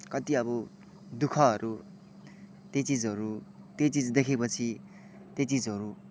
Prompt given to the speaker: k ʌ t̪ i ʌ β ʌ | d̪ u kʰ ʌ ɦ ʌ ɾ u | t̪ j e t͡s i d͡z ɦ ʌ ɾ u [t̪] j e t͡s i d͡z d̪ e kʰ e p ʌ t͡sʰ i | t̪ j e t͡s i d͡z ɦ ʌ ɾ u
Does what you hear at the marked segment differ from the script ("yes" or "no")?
no